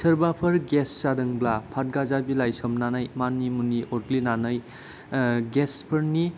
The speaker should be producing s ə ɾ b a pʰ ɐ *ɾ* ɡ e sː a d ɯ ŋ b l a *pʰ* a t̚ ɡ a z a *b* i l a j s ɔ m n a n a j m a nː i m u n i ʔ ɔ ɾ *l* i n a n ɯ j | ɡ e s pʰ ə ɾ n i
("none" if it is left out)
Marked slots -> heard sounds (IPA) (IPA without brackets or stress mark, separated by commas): ɾ, pʰ, b, l